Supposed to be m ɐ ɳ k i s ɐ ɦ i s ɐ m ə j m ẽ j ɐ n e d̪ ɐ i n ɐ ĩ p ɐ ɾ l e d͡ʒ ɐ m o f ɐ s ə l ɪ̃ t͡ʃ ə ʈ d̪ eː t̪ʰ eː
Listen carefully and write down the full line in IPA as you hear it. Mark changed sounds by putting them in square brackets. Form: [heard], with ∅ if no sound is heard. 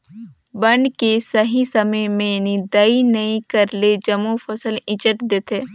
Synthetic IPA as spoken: [b] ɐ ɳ k [e] s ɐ ɦ i s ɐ m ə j m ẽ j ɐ n [i] d̪ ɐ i n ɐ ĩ [k] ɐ ɾ l e d͡ʒ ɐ m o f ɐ s ə l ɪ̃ t͡ʃ ə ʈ d̪ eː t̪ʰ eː

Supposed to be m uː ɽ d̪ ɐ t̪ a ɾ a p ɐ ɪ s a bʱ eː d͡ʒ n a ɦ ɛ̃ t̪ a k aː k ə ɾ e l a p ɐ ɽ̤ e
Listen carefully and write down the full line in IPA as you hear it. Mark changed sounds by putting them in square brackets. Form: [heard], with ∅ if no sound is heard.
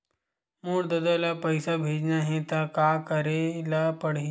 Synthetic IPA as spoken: m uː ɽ d̪ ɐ [d̪] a [l] a p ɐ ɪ s a bʱ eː d͡ʒ n a ɦ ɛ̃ t̪ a k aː k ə ɾ e l a p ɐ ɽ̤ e

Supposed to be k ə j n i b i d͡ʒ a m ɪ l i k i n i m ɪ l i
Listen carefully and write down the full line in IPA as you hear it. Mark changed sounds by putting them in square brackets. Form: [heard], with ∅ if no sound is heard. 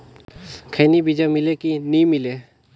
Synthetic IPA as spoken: [kʰ] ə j n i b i d͡ʒ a m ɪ l [e] k i n i m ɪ l [e]

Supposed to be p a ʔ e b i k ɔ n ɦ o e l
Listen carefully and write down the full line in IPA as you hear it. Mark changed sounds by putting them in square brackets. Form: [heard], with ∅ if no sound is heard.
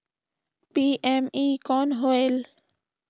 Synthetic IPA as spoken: p [i] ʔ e [m] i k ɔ n ɦ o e l

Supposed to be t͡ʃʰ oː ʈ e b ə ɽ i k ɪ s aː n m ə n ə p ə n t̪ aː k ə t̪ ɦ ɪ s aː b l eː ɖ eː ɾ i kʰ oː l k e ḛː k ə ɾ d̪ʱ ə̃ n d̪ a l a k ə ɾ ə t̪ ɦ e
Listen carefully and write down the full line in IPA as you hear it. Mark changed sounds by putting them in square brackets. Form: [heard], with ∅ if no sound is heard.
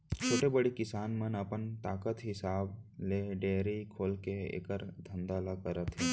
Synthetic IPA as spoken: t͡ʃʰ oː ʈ e b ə ɽ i k ɪ s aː n m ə n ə p ə n t̪ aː k ə t̪ ɦ ɪ s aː b l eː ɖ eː ɾ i kʰ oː l k e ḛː k ə ɾ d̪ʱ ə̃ n d̪ a l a k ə ɾ ə t̪ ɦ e

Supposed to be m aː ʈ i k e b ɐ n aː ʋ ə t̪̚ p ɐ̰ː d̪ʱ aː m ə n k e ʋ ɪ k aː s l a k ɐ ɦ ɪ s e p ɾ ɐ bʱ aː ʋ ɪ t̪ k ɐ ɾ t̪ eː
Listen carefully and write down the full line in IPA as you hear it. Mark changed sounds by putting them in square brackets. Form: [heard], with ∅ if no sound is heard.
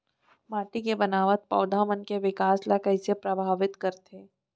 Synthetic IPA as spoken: m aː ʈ i k e b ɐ n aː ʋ ə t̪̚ p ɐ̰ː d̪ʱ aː m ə n k e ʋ ɪ k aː s l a k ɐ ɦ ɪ s e p ɾ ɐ bʱ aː ʋ ɪ t̪ k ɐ ɾ t̪ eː

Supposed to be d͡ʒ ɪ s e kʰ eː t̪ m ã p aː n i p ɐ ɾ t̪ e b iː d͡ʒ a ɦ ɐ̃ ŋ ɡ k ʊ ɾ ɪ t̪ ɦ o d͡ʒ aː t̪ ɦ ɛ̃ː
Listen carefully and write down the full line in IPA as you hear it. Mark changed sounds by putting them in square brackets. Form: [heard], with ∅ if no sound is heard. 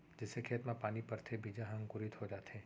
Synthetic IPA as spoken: d͡ʒ ɪ s e kʰ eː t̪ m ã p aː n i p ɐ ɾ [t̪ʰ] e b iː d͡ʒ a ɦ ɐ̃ ŋ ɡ k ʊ ɾ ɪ t̪ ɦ o d͡ʒ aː t̪ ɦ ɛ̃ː

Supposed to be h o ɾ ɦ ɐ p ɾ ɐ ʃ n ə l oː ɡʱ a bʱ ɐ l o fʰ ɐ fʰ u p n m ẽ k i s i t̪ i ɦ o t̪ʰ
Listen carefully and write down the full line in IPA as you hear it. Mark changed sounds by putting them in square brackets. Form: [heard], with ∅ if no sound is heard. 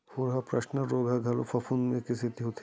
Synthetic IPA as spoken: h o ɾ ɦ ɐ p ɾ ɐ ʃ n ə [ɾ] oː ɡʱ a [ɡʱ] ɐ l o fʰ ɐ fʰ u [∅] n m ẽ k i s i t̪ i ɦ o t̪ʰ

